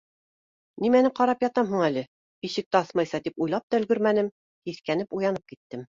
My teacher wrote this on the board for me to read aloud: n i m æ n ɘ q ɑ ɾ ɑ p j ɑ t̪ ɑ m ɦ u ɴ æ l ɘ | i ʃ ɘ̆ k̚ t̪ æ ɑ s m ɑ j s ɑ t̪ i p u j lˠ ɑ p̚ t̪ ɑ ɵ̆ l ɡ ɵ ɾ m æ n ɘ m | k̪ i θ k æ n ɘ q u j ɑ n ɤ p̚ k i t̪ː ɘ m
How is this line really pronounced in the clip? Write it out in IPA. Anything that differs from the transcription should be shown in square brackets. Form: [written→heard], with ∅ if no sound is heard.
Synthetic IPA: n i m æ n ɘ q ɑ ɾ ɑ p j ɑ t̪ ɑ m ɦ u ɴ æ l ɘ | i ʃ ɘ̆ k̚ t̪ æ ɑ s m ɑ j s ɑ t̪ i p u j lˠ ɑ p̚ t̪ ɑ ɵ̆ l ɡ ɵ ɾ m æ n ɘ m | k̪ i θ k æ n ɘ [q→p] u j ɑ n ɤ p̚ k i t̪ː ɘ m